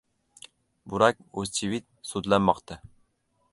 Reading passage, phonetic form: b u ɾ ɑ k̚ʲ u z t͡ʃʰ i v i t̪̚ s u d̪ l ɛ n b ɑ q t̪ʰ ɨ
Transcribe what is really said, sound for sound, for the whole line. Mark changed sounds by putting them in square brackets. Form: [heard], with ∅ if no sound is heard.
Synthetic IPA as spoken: b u ɾ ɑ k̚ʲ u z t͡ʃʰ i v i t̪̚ s u d̪ l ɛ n [m] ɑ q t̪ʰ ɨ